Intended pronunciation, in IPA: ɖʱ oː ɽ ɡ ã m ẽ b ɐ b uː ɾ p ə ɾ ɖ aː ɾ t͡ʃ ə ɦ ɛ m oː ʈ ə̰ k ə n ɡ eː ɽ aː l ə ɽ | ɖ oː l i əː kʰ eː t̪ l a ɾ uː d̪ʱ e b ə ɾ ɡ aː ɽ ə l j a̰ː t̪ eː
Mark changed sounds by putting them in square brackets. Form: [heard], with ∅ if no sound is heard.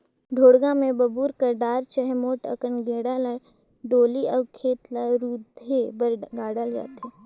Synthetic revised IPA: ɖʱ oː ɽ ɡ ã m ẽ b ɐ b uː ɾ [k] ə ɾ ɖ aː ɾ t͡ʃ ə ɦ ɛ m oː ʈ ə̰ k ə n ɡ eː ɽ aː l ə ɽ | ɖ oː l i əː kʰ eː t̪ l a ɾ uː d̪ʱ e b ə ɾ ɡ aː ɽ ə l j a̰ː t̪ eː